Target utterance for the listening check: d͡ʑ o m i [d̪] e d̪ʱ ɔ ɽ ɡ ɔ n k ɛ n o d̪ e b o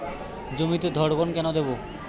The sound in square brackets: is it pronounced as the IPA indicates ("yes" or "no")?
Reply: no